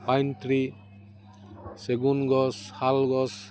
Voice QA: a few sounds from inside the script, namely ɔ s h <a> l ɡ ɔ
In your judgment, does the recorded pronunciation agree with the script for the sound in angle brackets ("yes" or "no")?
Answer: yes